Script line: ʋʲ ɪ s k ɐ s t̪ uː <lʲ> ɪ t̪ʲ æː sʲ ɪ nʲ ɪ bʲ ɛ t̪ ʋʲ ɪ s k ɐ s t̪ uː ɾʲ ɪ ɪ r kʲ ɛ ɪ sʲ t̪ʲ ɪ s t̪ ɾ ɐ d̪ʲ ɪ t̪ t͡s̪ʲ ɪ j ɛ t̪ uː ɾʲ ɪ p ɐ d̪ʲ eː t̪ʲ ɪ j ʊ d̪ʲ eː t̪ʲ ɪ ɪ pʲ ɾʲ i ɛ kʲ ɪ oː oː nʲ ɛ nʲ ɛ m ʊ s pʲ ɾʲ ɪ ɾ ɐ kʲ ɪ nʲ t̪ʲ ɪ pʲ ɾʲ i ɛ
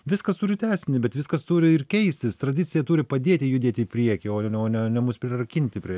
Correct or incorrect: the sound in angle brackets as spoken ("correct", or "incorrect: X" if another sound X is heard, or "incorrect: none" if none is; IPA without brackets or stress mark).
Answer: incorrect: ɾʲ